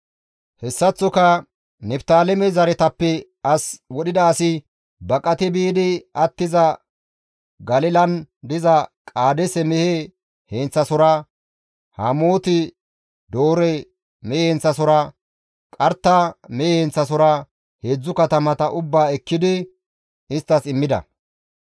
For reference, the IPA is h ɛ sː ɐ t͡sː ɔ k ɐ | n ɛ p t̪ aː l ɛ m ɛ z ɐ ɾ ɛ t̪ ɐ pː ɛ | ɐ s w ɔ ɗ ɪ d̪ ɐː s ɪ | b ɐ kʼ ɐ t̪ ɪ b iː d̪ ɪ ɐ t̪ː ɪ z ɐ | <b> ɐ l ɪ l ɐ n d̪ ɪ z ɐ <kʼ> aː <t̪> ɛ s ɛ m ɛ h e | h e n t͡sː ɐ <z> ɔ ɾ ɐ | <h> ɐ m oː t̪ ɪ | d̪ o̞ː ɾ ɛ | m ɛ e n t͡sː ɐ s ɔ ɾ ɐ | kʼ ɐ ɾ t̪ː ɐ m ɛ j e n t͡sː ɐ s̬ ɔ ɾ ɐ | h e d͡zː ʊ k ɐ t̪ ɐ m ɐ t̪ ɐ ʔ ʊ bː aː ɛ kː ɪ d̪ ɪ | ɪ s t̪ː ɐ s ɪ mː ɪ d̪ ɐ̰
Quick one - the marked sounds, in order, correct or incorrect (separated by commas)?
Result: incorrect, correct, incorrect, incorrect, correct